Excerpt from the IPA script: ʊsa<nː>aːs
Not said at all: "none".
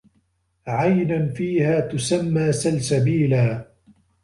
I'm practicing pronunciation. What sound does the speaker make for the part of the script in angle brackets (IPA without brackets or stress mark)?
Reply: mː